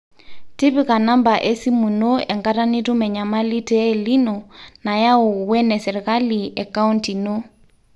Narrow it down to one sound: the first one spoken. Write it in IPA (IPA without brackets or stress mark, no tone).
t